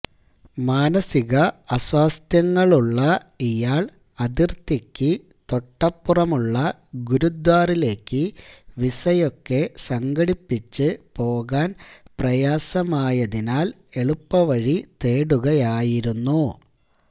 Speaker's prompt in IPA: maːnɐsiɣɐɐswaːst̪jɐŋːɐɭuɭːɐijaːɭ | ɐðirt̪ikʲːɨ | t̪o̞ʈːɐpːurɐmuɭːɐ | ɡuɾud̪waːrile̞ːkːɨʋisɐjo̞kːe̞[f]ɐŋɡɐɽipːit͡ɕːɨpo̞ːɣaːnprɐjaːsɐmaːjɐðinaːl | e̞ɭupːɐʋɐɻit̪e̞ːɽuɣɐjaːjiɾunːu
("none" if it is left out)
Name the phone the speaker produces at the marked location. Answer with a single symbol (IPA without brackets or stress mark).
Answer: s